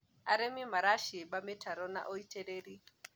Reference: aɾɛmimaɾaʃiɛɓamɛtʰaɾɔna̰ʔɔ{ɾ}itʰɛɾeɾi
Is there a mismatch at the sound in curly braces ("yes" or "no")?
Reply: yes